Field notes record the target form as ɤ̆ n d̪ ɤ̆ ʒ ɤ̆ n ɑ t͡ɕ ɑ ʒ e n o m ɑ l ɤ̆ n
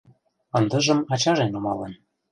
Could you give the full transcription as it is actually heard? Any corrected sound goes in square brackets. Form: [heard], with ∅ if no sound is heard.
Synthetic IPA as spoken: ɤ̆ n d̪ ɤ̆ ʒ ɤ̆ [m] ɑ t͡ɕ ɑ ʒ e n o m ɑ l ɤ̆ n